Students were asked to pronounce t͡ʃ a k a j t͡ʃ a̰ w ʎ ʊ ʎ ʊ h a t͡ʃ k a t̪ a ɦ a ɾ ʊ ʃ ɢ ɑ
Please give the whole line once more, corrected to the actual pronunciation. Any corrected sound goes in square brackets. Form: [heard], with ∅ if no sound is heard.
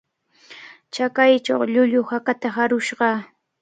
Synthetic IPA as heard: t͡ʃ a k a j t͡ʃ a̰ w ʎ ʊ ʎ ʊ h a [∅] k a t̪ a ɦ a ɾ ʊ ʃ ɢ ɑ